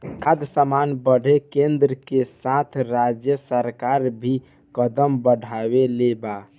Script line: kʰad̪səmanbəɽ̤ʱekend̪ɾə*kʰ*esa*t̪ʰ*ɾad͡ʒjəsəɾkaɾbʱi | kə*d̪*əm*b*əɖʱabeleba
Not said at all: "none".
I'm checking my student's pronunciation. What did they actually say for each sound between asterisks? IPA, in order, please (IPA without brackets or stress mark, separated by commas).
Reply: k, t̪ʰ, d̪, b